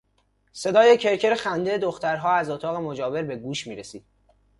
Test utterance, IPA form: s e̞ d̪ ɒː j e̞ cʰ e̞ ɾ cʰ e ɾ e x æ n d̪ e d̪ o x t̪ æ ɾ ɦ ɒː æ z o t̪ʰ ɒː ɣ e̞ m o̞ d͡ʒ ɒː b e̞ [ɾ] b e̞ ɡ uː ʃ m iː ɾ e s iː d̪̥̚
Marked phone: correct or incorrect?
correct